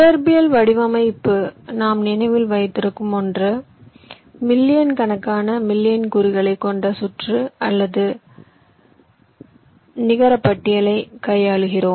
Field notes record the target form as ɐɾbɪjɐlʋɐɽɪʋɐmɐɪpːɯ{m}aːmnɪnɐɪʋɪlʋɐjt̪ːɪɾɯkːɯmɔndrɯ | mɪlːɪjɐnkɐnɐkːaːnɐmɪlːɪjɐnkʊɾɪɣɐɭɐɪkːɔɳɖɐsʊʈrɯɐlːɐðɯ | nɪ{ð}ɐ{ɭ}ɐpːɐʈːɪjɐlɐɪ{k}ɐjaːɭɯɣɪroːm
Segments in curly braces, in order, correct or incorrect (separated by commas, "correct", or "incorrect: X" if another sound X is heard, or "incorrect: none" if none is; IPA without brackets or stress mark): incorrect: n, incorrect: ɣ, incorrect: ɾ, correct